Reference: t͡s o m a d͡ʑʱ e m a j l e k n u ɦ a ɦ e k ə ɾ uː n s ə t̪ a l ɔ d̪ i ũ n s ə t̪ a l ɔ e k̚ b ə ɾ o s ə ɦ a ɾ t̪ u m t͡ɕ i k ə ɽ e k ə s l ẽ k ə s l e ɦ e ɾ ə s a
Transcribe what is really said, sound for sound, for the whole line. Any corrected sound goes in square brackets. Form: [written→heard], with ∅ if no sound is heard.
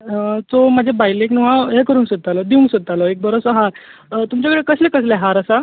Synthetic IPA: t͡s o m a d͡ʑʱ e [m→b] a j l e k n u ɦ a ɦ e k ə ɾ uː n s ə t̪ a l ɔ d̪ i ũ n s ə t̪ a l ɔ e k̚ b ə ɾ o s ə ɦ a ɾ t̪ u m t͡ɕ [i→a] k ə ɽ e k ə s l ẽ k ə s l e ɦ [e→a] ɾ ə s a